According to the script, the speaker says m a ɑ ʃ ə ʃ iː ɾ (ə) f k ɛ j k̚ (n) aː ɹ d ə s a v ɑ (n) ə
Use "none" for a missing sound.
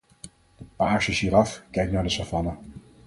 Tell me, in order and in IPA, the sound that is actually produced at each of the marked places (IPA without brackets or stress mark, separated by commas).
ɑ, n, n